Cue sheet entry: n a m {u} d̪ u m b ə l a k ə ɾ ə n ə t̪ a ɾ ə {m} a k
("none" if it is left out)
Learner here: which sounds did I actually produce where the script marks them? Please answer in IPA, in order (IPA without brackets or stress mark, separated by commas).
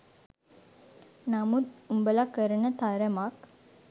u, m